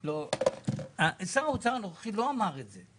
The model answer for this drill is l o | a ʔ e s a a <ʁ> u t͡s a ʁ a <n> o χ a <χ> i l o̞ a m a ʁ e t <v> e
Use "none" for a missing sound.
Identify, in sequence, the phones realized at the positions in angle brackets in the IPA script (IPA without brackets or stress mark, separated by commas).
none, n, χ, z